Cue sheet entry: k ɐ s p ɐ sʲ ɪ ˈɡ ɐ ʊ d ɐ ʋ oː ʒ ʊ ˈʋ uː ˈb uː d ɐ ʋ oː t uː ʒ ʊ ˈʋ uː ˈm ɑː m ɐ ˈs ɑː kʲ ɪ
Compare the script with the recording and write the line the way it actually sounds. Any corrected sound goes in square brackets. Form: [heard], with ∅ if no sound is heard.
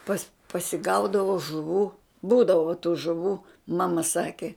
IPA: [p] ɐ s p ɐ sʲ ɪ ˈɡ ɐ ʊ d ɐ ʋ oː ʒ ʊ ˈʋ uː ˈb uː d ɐ ʋ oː t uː ʒ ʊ ˈʋ uː ˈm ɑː m ɐ ˈs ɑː kʲ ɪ